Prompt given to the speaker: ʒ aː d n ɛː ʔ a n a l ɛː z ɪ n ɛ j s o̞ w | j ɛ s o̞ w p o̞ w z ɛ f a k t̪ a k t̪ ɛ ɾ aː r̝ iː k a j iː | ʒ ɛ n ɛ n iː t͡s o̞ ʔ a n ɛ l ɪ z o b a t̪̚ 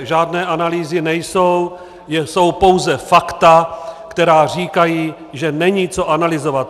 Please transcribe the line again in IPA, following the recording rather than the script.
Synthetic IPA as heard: ʒ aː d n ɛː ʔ a n a l iː z ɪ n ɛ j s o̞ w | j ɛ s o̞ w p o̞ w z ɛ f a k t̪ a k t̪ ɛ ɾ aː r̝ iː k a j iː | ʒ ɛ n ɛ ɲ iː t͡s o̞ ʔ a n a l ɪ z o v a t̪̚